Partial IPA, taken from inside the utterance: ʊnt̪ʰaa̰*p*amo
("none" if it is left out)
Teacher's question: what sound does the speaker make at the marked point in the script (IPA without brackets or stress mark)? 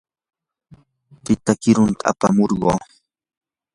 p